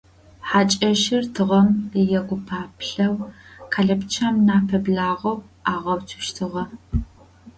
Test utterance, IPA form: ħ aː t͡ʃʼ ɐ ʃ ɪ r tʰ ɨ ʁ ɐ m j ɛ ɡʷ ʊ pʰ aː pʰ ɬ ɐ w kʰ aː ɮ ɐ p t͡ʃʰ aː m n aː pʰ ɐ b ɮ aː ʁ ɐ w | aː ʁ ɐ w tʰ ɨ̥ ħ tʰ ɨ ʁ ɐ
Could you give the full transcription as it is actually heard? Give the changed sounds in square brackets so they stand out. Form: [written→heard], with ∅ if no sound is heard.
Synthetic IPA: ħ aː t͡ʃʼ ɐ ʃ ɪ r tʰ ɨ ʁ ɐ m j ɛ ɡʷ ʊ pʰ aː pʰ ɬ ɐ w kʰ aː ɮ ɐ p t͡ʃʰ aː m n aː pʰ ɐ b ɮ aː ʁ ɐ w | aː ʁ ɐ w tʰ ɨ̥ [ħ→ʃ] tʰ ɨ ʁ ɐ